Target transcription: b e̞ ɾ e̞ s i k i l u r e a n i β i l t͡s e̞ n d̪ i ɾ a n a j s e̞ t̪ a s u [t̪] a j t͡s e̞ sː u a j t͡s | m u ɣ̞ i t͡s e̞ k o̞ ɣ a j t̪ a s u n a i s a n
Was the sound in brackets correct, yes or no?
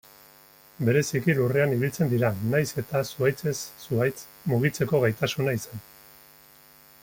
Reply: no